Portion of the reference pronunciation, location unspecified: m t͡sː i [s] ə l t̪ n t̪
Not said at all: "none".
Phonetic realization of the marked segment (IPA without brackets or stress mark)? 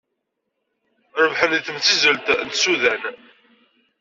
z